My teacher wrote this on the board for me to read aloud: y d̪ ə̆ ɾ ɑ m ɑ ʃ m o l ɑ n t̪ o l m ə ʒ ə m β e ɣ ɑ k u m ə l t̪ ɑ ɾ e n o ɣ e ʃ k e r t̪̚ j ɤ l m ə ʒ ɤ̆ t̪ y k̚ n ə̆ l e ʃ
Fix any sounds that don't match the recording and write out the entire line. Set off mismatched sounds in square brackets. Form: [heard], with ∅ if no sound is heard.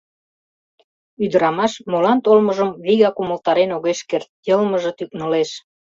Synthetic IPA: y d̪ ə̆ ɾ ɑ m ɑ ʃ m o l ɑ n t̪ o l m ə ʒ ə m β [i] ɣ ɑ k u m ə l t̪ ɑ ɾ e n o ɣ e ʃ k e r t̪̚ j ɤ l m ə ʒ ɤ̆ t̪ y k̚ n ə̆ l e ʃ